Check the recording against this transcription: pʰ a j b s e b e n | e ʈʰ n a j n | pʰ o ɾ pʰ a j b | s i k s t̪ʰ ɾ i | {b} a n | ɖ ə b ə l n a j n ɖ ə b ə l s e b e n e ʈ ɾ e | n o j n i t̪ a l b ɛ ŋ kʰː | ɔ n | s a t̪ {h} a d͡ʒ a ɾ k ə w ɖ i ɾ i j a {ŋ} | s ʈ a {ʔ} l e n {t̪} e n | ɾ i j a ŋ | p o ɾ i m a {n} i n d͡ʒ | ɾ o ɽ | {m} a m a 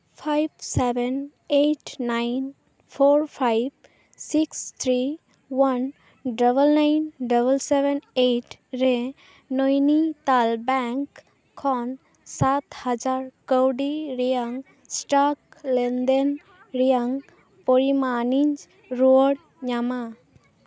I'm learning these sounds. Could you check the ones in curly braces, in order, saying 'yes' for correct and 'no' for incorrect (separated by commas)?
no, yes, yes, no, no, yes, no